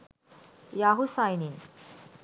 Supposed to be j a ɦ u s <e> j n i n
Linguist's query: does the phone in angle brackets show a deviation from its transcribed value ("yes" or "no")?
yes